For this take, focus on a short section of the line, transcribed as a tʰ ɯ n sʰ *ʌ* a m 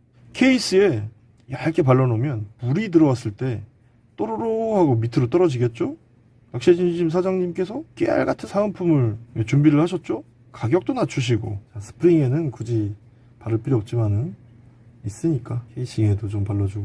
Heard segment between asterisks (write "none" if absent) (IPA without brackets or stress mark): a